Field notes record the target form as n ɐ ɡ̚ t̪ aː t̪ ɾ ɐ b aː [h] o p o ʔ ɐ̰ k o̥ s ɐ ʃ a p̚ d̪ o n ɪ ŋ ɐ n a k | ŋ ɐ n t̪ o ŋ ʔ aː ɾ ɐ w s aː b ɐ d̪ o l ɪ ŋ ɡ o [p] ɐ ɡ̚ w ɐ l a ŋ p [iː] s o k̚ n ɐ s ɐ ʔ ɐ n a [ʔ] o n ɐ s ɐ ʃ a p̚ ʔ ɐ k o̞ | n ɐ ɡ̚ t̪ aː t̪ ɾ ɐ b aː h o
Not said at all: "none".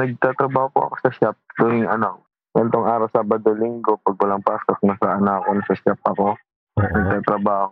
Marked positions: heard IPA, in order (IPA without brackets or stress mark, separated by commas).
h, p, aː, k